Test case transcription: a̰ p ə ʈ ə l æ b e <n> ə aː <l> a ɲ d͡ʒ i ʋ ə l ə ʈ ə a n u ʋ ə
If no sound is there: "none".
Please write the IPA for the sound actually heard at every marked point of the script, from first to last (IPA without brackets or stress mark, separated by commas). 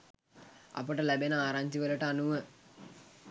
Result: n, ɾ